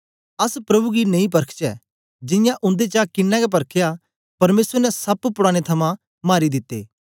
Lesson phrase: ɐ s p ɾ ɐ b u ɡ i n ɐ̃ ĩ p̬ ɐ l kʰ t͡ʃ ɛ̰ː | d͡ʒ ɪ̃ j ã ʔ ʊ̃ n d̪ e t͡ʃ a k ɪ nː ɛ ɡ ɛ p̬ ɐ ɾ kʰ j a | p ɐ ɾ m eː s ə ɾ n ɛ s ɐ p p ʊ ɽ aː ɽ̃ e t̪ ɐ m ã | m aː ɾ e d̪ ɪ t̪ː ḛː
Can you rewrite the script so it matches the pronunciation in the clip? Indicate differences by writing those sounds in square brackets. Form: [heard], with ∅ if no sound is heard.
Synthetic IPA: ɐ s p ɾ ɐ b u ɡ i n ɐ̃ ĩ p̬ ɐ [ɾ] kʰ t͡ʃ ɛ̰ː | d͡ʒ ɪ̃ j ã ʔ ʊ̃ n d̪ e t͡ʃ a k ɪ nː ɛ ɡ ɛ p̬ ɐ ɾ kʰ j a | p ɐ ɾ m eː s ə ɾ n ɛ s ɐ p p ʊ ɽ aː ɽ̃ e [t̪ʰ] ɐ m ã | m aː ɾ [i] d̪ ɪ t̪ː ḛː

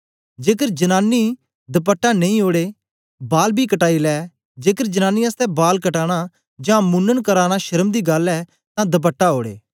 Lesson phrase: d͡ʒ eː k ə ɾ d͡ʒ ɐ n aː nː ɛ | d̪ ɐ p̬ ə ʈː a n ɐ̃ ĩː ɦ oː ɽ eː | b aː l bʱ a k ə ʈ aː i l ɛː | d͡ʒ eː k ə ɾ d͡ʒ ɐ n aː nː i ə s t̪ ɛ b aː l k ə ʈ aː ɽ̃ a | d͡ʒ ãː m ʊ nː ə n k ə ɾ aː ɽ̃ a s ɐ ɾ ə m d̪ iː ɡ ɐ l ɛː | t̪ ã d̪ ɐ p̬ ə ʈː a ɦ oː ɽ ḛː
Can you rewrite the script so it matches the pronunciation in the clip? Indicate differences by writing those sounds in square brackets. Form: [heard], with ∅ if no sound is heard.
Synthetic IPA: d͡ʒ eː k ə ɾ d͡ʒ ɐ n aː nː [i] | d̪ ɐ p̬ ə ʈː a n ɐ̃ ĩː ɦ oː ɽ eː | b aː l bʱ [i] k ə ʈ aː i l ɛː | d͡ʒ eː k ə ɾ d͡ʒ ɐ n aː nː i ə s t̪ ɛ b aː l k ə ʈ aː ɽ̃ a | d͡ʒ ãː m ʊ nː ə n k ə ɾ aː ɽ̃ a [ʃ] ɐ ɾ ə m d̪ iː ɡ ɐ l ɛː | t̪ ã d̪ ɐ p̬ ə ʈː a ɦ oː ɽ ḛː

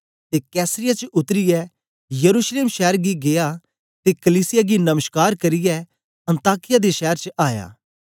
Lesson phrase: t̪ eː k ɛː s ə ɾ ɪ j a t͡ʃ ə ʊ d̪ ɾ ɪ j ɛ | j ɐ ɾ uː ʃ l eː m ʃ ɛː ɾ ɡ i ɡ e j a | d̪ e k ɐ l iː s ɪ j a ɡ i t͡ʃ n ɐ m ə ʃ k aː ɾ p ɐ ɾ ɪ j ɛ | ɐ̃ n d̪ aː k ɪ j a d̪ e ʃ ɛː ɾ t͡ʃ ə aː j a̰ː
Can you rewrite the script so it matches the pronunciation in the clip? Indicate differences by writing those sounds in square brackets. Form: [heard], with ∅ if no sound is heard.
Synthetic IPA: t̪ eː k ɛː s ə ɾ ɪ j a t͡ʃ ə ʊ [t̪] ɾ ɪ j ɛ | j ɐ ɾ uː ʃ l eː m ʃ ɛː ɾ ɡ i ɡ e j a | [t̪] e k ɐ l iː s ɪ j a ɡ i [∅] n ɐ m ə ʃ k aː ɾ [k] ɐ ɾ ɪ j ɛ | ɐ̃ n [t̪] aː k ɪ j a d̪ e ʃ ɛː ɾ t͡ʃ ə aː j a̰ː

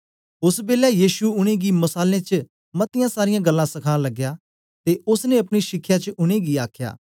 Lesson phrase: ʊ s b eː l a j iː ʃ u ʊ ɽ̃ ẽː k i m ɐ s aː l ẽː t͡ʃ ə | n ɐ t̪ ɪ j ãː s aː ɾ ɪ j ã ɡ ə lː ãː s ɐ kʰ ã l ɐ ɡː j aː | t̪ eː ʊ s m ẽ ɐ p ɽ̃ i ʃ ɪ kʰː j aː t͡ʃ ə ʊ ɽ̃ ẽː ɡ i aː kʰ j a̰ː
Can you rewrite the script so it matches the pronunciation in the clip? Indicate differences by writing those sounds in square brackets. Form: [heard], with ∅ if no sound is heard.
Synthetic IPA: ʊ s b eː l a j iː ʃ u ʊ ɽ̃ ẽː [ɡ] i m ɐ s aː l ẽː t͡ʃ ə | [m] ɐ t̪ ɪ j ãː s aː ɾ ɪ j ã ɡ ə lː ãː s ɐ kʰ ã l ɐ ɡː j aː | t̪ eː ʊ s [n] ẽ ɐ p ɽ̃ i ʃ ɪ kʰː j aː t͡ʃ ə ʊ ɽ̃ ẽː ɡ i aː kʰ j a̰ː

